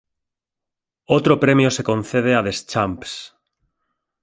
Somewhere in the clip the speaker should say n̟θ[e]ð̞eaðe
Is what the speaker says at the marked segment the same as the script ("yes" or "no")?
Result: yes